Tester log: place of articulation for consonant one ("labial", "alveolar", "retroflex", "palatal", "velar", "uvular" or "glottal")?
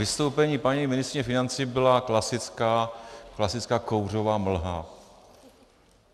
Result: alveolar